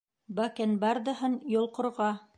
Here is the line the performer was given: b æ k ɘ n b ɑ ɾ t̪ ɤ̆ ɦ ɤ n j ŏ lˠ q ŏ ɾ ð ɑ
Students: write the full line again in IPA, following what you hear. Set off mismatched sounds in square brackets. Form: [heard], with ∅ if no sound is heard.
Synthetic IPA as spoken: b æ k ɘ n b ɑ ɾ [d̪] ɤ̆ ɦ ɤ n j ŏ lˠ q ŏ ɾ [ʁ] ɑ